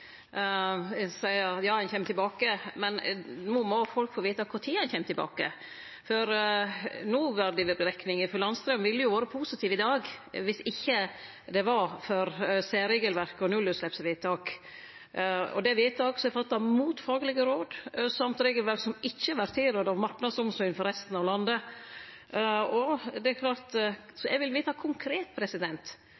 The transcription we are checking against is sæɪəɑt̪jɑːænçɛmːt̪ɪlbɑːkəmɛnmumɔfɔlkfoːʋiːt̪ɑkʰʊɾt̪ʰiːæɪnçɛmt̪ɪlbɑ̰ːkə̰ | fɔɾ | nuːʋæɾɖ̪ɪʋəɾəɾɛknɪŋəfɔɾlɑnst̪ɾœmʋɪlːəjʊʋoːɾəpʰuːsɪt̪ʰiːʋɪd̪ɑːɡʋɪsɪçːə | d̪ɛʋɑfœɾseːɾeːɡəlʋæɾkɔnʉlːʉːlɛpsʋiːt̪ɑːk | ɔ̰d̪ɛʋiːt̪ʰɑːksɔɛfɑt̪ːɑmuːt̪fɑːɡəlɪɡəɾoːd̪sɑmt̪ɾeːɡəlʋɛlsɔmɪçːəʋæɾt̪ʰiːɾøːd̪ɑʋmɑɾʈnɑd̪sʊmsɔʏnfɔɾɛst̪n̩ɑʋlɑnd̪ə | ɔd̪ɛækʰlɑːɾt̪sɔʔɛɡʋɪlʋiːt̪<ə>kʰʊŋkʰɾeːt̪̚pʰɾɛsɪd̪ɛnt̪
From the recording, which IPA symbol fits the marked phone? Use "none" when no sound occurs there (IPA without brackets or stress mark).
ɑ